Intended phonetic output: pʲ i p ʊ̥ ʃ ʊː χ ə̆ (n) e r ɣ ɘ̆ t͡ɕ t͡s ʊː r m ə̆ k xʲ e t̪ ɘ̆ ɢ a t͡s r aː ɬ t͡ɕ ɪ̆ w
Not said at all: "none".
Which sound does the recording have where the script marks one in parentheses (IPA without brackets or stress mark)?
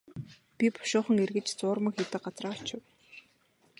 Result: ŋ